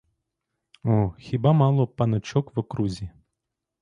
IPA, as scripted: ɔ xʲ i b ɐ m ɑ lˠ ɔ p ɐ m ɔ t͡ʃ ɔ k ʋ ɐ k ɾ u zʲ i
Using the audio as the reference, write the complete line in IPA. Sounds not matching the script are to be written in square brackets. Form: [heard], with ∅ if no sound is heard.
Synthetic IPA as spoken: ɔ xʲ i b [a] m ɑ lˠ ɔ p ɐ [n] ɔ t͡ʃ ɔ k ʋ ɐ k ɾ u zʲ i

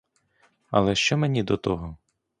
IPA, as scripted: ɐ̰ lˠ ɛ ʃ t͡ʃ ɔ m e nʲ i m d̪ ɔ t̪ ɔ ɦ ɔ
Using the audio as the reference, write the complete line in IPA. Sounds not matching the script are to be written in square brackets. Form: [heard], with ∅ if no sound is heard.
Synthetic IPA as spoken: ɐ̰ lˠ ɛ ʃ t͡ʃ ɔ m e nʲ i [∅] d̪ ɔ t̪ ɔ ɦ ɔ

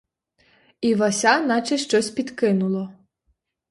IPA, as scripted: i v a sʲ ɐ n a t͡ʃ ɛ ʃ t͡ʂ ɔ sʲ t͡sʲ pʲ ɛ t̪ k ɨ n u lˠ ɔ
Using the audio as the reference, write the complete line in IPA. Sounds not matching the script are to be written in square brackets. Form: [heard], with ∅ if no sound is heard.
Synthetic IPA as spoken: i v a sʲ [a] n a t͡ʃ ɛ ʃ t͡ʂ ɔ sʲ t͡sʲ pʲ [i] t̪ k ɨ n u lˠ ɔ

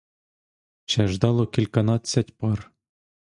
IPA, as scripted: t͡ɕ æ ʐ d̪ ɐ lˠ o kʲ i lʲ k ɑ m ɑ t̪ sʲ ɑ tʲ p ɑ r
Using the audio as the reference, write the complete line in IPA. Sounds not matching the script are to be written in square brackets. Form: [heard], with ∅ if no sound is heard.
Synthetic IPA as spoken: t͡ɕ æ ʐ d̪ [ɑ] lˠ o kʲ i lʲ k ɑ [n] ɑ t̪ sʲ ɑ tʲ p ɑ r

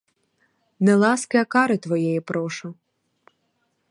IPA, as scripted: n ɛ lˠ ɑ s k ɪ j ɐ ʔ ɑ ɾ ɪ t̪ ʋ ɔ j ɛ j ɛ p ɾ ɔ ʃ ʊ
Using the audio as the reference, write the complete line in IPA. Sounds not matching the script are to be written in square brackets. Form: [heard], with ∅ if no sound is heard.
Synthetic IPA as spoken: n ɛ lˠ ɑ s k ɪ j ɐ [k] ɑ ɾ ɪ t̪ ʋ ɔ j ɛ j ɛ p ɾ ɔ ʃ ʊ

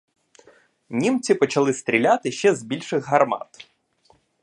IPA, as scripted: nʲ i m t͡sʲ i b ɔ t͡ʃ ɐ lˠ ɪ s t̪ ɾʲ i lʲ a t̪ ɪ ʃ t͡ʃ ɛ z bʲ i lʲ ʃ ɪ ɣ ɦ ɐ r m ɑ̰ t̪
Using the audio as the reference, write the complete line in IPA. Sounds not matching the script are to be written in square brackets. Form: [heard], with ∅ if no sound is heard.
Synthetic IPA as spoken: nʲ i m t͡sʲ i [p] ɔ t͡ʃ ɐ lˠ ɪ s t̪ ɾʲ i lʲ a t̪ ɪ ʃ t͡ʃ ɛ z bʲ i lʲ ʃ ɪ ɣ ɦ ɐ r m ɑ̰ t̪

